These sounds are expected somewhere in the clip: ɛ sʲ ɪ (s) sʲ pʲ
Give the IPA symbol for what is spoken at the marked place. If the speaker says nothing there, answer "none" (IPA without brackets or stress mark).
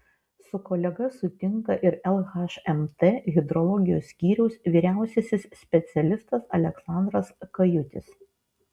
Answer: s